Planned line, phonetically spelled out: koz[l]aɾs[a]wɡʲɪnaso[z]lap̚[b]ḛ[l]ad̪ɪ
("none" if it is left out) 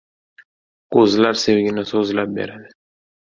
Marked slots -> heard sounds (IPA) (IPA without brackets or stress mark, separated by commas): l, e, z, b, ɾ